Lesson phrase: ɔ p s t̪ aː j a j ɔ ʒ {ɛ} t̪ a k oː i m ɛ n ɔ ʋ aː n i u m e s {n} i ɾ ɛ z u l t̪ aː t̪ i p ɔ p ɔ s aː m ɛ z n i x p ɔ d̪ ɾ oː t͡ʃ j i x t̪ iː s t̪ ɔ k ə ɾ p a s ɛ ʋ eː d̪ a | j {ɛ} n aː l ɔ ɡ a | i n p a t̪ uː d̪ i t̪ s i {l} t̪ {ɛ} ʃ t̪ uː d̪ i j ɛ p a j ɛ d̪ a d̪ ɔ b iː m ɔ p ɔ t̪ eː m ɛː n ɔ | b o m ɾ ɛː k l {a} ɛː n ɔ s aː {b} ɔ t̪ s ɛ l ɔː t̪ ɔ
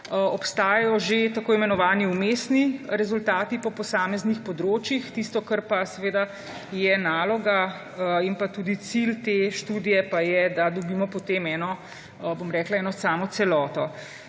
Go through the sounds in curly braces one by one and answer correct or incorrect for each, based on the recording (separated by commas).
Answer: incorrect, correct, correct, correct, incorrect, correct, incorrect